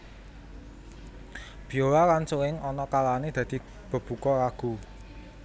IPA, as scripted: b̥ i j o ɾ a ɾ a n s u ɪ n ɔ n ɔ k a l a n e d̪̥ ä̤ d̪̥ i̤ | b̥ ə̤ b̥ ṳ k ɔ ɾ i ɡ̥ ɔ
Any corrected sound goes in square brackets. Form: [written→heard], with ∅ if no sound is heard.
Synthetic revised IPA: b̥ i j o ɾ a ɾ a n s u ɪ [n→ŋ] ɔ n ɔ k a l a n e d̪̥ ä̤ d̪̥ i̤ | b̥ ə̤ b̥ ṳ k ɔ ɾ [i→a] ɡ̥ [ɔ→u]